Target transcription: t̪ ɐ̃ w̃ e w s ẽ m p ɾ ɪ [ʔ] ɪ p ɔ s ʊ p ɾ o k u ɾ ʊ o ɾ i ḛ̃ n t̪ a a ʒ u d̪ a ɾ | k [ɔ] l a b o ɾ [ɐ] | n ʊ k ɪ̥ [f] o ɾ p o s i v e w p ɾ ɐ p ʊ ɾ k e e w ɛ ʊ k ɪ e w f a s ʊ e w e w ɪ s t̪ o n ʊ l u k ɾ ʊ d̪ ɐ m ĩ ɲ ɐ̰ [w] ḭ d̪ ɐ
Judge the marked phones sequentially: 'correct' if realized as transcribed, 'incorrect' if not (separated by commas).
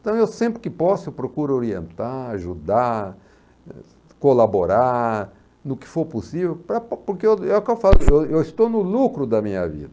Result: incorrect, incorrect, incorrect, correct, incorrect